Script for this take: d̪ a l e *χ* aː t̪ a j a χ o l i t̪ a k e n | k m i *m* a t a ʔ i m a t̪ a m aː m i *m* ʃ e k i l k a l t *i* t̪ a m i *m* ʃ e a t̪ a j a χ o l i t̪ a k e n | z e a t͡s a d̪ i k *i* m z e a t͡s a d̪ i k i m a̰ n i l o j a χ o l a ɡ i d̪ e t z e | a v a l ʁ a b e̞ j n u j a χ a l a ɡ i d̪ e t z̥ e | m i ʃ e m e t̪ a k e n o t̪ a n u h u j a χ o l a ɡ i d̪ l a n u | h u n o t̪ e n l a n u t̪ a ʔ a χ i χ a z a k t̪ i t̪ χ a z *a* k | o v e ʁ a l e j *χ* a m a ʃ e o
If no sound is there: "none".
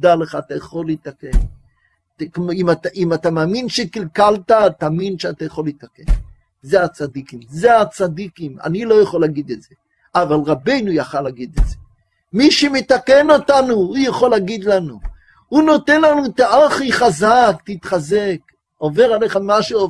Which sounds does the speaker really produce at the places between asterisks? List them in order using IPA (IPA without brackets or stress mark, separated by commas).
χ, m, n, a, n, i, e, χ